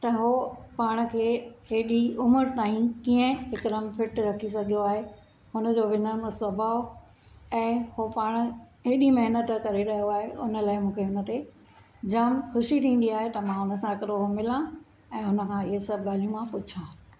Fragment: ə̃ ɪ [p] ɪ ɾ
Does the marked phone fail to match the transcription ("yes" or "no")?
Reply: yes